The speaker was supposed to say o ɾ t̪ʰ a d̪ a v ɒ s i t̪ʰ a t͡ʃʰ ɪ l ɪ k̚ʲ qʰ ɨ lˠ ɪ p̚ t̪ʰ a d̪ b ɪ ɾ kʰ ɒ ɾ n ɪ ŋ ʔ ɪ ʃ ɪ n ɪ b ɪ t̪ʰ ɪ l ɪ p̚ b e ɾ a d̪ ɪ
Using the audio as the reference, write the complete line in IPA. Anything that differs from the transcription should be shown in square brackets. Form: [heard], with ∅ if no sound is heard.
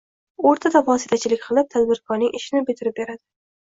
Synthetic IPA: o ɾ t̪ʰ a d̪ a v ɒ s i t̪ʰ a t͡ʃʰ ɪ l ɪ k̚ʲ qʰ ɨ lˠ ɪ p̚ t̪ʰ a d̪ b ɪ ɾ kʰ ɒ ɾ n ɪ ŋ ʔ ɪ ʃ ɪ n ɪ b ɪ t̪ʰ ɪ [ɾ] ɪ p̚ b e ɾ a d̪ ɪ